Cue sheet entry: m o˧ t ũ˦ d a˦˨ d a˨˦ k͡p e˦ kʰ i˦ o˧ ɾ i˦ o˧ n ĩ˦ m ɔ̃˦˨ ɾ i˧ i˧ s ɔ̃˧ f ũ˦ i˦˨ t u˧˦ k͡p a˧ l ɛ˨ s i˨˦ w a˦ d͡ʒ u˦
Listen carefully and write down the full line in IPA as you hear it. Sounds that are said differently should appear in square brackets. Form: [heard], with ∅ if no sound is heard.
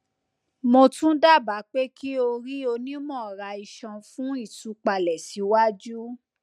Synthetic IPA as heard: m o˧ t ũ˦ d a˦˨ [b] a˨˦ k͡p e˦ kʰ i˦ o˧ ɾ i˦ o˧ n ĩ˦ m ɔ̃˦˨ ɾ [a˧] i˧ [ʃ] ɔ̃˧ f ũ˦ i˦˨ t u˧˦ k͡p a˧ l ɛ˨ s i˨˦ w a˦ d͡ʒ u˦